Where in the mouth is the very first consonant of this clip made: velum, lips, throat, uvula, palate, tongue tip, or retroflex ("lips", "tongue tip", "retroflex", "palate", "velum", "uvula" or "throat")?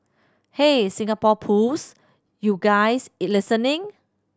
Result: throat